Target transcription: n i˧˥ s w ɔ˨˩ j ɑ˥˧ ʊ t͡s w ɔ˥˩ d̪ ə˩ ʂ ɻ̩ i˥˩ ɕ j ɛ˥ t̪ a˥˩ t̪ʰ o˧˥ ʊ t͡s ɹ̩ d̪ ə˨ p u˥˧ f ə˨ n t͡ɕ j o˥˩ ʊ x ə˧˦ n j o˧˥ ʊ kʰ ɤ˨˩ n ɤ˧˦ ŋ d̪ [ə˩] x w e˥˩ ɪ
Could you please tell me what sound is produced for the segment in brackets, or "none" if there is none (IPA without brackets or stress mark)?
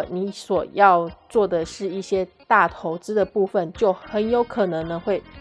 ə˧